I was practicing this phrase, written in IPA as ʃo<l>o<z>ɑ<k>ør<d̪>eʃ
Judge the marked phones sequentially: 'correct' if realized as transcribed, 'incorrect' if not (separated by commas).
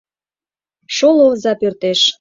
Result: correct, correct, incorrect, incorrect